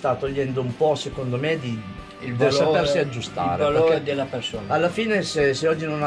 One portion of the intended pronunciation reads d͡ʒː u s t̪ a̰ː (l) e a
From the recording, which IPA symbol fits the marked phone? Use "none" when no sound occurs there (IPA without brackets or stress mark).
ɾ